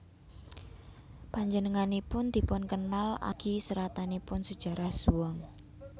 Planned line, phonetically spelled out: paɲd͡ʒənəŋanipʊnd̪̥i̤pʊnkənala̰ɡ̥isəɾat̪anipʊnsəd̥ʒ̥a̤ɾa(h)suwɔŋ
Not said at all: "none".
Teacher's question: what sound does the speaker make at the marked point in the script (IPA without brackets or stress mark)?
h